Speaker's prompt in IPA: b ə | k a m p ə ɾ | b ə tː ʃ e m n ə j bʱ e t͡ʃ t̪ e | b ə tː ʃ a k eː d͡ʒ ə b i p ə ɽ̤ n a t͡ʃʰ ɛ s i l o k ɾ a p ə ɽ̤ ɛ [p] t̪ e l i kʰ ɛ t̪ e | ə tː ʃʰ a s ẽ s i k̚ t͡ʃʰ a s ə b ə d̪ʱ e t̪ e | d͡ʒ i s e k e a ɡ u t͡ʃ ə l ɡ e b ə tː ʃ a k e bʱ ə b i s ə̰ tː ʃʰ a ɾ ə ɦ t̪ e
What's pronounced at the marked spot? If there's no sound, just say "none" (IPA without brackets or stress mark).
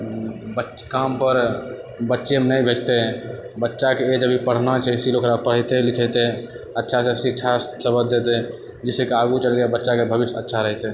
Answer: none